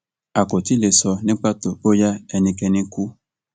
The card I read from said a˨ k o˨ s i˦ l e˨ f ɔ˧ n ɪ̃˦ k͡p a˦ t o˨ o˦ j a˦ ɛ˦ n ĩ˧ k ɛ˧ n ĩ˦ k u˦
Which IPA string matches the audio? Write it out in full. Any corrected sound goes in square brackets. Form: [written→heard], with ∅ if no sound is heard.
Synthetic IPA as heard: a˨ k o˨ [s→t] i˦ l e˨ [f→s] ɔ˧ n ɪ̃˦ k͡p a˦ t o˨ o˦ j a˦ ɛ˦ n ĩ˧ k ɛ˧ n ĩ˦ k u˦